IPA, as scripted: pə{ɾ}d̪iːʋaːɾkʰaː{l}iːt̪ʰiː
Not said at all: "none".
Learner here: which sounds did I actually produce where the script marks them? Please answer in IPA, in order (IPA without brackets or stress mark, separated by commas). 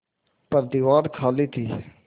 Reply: ɾ, l